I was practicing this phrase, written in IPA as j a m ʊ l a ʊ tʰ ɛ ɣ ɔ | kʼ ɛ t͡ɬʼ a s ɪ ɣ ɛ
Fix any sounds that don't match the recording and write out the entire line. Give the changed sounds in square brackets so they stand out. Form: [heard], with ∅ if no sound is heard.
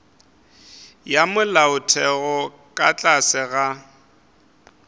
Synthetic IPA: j a m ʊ l a ʊ tʰ ɛ ɣ ɔ | kʼ [a] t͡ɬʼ a s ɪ ɣ [a]